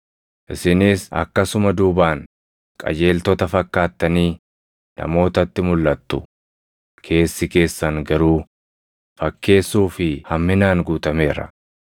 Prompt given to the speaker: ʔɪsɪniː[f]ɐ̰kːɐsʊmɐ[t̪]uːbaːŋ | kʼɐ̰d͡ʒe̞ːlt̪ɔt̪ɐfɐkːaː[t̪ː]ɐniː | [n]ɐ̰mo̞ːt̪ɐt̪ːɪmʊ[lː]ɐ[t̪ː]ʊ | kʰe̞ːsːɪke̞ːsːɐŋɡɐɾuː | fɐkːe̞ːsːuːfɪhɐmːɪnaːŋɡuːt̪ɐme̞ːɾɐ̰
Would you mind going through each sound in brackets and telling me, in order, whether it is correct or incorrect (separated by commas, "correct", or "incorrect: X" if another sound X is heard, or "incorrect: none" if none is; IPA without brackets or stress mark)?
incorrect: s, incorrect: d̪, correct, correct, correct, correct